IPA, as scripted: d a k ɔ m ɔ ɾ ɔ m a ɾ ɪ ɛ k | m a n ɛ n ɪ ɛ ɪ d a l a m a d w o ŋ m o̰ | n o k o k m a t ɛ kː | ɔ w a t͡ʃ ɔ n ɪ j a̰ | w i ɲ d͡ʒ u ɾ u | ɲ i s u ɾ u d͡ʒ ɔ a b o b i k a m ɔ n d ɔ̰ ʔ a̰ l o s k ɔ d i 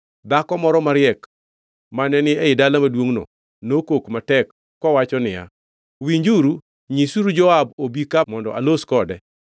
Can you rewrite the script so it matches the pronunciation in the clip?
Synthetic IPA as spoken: d a k ɔ m ɔ ɾ ɔ m a ɾ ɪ ɛ k | m a n ɛ n ɪ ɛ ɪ d a l a m a d w o ŋ n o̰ | n o k o k m a t ɛ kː | ɔ w a t͡ʃ ɔ n ɪ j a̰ | w i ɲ d͡ʒ u ɾ u | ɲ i s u ɾ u d͡ʒ ɔ a b o b i k a m ɔ n d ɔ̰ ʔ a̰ l o s k ɔ d ɛ

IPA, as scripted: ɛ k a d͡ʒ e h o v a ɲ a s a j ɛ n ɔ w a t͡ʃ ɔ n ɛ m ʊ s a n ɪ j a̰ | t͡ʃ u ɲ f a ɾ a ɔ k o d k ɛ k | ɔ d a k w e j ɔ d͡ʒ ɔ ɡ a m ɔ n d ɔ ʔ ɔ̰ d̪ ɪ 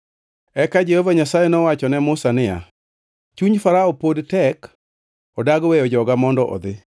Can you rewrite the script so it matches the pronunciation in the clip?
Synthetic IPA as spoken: ɛ k a d͡ʒ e h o v a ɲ a s a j ɛ n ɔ w a t͡ʃ ɔ n ɛ m ʊ s a n ɪ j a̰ | t͡ʃ u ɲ f a ɾ a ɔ p o d t ɛ k | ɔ d a ɡ w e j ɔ d͡ʒ ɔ ɡ a m ɔ n d ɔ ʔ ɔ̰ d̪ ɪ

